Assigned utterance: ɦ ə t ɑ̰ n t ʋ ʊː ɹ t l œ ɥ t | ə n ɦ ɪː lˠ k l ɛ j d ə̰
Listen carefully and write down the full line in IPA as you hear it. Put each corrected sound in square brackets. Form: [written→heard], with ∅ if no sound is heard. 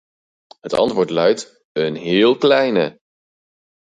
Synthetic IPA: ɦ ə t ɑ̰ n t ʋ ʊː ɹ t l œ ɥ t | ə n ɦ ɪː lˠ k l ɛ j [d→n] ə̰